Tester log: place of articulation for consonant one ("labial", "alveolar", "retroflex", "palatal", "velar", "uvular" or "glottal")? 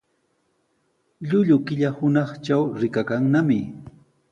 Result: palatal